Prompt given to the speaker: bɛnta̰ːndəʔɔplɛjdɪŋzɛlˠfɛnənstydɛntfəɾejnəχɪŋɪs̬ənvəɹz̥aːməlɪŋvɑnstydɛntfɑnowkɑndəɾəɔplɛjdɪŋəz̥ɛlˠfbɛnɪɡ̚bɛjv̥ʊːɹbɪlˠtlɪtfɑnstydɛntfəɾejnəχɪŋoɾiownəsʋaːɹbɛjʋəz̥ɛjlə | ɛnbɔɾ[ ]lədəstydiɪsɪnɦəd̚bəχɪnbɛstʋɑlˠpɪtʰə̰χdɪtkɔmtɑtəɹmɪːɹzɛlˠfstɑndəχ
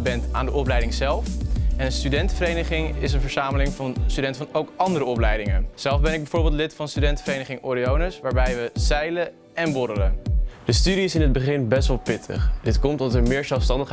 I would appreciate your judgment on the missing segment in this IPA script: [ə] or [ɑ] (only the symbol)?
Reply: ə